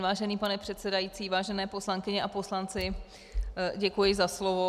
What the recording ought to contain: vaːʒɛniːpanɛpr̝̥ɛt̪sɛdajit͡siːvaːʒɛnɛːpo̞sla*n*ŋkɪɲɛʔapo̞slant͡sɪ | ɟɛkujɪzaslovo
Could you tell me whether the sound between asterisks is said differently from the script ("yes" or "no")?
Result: yes